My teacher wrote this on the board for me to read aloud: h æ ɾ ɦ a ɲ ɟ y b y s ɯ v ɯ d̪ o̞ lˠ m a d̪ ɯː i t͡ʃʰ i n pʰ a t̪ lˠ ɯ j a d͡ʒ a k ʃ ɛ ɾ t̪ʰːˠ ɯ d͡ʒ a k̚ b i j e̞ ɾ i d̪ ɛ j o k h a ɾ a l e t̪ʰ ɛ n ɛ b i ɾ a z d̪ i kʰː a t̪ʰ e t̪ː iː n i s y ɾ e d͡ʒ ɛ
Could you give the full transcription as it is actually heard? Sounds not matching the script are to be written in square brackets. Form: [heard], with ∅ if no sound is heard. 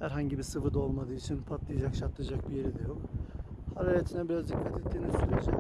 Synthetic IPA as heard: h æ ɾ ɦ a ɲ ɟ [i] b [i] s ɯ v ɯ d̪ o̞ lˠ m a d̪ ɯː i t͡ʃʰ i n pʰ a t̪ lˠ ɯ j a d͡ʒ a k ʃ [a] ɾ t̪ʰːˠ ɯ d͡ʒ a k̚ b i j e̞ ɾ i d̪ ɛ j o k h a ɾ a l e t̪ʰ [i] n ɛ b i ɾ a z d̪ i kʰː a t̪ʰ e t̪ː iː n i s y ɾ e d͡ʒ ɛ